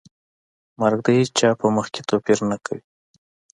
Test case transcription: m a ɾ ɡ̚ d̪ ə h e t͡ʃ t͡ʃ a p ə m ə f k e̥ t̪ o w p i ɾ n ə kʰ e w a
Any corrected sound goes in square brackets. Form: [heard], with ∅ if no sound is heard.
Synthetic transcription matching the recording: m a ɾ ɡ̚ d̪ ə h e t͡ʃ t͡ʃ [ɑ] p ə m ə [x] k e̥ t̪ o [∅] p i ɾ n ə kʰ [a] w [i]